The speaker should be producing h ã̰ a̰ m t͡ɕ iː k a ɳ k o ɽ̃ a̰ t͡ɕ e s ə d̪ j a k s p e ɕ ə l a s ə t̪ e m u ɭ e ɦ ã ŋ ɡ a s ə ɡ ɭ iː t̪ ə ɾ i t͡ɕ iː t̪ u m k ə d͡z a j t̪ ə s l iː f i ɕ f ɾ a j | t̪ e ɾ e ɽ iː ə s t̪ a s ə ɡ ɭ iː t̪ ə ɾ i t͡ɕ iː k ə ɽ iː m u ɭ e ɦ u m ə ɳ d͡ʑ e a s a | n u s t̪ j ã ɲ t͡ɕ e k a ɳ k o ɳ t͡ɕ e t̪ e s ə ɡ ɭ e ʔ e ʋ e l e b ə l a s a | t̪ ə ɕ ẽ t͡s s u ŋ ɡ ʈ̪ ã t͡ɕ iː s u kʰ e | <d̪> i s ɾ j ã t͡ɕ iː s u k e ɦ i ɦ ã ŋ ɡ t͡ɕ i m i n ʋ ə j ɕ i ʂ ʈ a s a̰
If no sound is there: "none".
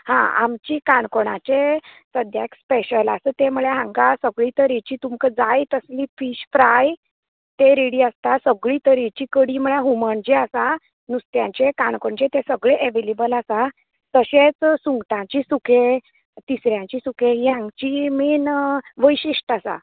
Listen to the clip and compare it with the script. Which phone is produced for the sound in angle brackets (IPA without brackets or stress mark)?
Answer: t̪